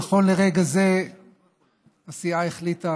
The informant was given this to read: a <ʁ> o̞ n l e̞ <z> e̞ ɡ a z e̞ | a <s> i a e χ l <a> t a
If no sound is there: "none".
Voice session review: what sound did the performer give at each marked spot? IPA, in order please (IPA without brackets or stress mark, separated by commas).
χ, ʁ, s, i